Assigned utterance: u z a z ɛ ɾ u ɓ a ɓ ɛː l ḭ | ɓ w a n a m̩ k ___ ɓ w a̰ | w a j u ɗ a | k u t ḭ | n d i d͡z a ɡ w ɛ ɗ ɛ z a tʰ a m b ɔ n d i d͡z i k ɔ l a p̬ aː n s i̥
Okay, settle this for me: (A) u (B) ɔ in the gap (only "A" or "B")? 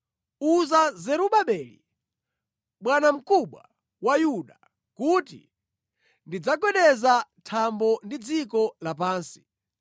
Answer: A